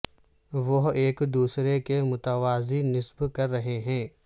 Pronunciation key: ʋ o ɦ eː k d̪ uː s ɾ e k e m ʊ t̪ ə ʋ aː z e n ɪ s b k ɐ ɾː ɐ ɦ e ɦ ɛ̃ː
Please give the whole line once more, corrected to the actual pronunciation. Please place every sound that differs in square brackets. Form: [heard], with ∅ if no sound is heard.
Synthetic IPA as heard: ʋ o ɦ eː k d̪ uː s ɾ e k e m ʊ t̪ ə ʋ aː z [i] n ɪ s b k ɐ ɾː ɐ ɦ e ɦ ɛ̃ː